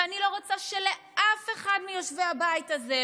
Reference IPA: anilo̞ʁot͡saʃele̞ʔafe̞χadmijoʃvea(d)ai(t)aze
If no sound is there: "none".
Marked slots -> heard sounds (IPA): b, t

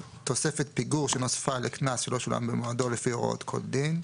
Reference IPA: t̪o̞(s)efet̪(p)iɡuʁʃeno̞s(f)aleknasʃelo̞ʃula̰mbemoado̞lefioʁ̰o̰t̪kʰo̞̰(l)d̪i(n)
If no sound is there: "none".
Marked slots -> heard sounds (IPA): s, p, f, l, n

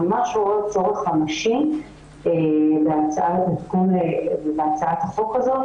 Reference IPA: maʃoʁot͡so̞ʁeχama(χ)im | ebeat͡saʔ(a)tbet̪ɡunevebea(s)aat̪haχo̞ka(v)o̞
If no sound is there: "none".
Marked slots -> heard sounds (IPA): ʃ, a, t͡s, z

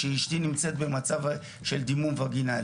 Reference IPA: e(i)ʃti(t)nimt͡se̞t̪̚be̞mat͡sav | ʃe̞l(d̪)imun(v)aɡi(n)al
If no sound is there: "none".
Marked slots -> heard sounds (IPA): i, none, d̪, v, n

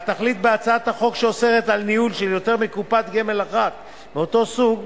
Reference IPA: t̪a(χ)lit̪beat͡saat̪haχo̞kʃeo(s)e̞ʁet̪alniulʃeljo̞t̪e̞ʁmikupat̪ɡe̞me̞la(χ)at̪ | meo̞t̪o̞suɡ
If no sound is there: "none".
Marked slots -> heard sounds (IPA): χ, s, χ

